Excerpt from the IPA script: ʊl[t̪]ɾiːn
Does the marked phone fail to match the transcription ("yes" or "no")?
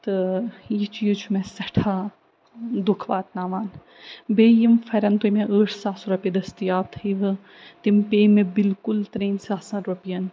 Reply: no